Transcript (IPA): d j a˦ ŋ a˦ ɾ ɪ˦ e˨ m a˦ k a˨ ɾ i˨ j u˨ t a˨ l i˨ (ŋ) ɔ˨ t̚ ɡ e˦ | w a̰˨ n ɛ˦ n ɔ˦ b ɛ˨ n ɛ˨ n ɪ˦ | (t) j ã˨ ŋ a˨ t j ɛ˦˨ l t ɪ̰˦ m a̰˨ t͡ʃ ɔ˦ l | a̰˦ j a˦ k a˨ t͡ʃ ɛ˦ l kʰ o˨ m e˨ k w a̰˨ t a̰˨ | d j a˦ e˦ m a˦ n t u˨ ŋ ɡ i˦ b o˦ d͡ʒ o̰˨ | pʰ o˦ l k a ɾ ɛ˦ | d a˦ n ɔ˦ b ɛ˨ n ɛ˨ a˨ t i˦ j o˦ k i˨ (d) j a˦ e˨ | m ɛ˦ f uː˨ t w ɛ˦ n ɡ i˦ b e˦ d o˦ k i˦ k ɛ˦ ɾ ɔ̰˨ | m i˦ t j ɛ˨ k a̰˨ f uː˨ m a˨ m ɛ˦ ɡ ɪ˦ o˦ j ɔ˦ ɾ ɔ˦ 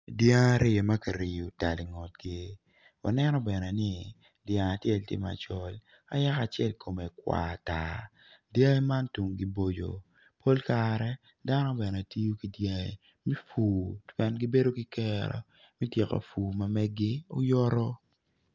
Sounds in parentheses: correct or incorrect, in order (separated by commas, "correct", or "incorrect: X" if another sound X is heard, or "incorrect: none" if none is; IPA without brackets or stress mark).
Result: correct, incorrect: d, correct